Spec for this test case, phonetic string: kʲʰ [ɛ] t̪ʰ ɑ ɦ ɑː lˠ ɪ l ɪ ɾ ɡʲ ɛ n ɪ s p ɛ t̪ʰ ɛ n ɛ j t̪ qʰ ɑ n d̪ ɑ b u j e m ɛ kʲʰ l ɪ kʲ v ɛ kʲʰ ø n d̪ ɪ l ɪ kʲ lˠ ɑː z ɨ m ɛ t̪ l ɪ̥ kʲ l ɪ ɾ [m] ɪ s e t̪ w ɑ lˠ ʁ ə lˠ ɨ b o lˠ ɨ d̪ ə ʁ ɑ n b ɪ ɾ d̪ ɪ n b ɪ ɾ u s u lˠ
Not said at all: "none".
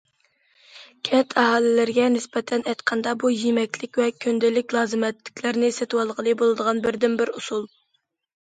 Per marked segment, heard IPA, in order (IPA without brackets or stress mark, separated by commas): ɛ, n